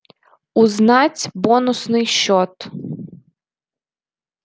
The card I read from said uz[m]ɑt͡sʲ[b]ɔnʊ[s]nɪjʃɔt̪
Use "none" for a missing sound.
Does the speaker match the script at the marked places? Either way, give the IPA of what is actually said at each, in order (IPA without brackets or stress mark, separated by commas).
n, b, s